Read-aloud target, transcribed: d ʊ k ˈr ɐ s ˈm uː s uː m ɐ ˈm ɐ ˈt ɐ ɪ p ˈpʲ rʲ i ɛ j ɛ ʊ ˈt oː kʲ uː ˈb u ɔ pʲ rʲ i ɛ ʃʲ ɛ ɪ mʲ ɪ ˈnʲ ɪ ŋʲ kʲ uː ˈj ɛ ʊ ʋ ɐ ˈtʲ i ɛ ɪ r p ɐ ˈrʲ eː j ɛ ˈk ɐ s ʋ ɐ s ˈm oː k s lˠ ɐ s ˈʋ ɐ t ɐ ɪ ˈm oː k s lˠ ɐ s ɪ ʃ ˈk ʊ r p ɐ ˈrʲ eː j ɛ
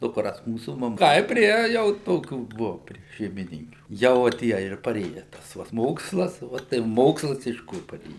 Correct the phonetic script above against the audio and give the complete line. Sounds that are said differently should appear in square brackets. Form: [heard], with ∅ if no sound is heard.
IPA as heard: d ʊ k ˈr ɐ s ˈm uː s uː m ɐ ˈm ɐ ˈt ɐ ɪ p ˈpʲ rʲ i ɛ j ɛ ʊ ˈt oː kʲ uː ˈb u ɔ pʲ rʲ i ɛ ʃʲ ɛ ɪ mʲ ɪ ˈnʲ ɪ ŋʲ kʲ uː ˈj ɛ ʊ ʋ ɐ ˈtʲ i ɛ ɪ r p ɐ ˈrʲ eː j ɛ [ˈt] ɐ s ʋ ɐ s ˈm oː k s lˠ ɐ s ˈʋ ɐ t ɐ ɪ ˈm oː k s lˠ ɐ s ɪ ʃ ˈk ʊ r p ɐ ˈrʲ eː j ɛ